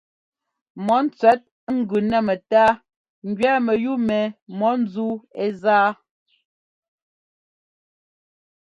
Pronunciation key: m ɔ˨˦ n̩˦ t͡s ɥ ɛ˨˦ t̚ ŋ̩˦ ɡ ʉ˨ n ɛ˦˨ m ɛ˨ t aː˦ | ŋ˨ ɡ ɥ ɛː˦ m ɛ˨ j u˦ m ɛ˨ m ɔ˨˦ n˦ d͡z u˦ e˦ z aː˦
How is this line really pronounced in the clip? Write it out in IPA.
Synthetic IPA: m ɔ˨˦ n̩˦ t͡s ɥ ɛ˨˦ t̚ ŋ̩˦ ɡ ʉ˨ n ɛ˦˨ m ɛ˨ t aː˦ | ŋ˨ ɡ ɥ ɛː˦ m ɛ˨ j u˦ m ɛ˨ m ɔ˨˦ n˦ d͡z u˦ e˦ z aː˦